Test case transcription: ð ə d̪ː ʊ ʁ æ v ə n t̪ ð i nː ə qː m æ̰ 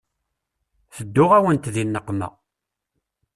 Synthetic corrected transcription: θ ə d̪ː ʊ ʁ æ w ə n t̪ ð i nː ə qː m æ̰